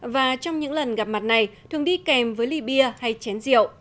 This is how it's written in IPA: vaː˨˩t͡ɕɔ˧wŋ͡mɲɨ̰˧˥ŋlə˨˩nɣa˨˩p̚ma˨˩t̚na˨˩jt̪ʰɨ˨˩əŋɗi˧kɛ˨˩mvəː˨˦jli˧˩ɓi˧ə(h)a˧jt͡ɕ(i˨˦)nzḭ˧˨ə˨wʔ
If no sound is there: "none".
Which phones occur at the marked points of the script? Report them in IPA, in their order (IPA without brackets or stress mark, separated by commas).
h, ɛ˨˦